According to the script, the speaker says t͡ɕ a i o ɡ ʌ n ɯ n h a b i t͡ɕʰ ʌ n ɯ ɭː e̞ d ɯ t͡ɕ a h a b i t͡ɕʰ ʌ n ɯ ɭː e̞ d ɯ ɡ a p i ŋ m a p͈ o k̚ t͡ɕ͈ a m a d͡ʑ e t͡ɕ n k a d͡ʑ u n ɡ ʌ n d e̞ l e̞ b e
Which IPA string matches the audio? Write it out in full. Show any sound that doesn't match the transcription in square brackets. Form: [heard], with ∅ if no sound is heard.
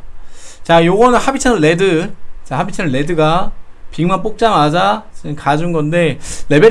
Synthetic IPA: t͡ɕ a [j] o ɡ ʌ n ɯ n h a b i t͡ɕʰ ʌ n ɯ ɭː e̞ d ɯ t͡ɕ a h a b i t͡ɕʰ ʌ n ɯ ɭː e̞ d ɯ ɡ a p i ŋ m a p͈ o k̚ t͡ɕ͈ a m a d͡ʑ [a] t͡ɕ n k a d͡ʑ u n ɡ ʌ n d e̞ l e̞ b e